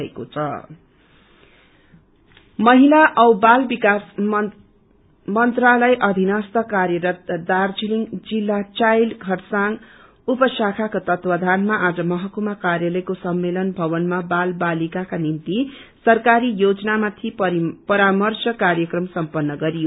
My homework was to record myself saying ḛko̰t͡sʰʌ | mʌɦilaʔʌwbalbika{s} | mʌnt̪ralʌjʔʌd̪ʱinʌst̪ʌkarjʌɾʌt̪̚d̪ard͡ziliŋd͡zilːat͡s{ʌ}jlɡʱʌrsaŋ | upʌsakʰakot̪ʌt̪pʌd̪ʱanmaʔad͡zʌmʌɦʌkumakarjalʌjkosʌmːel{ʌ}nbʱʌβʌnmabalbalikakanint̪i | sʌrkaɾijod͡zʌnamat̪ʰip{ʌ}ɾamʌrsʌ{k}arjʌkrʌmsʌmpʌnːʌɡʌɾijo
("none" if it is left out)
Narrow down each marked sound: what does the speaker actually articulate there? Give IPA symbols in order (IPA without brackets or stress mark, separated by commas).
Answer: s, a, ʌ, ʌ, k